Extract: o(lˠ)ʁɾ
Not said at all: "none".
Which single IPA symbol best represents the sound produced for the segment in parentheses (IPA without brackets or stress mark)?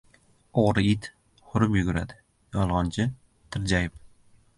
none